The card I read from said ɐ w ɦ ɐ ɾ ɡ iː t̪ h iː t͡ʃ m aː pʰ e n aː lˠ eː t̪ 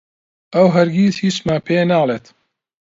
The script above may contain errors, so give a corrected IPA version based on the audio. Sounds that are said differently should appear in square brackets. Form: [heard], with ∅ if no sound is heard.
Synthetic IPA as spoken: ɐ w ɦ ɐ ɾ ɡ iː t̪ h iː t͡ʃ m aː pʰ e n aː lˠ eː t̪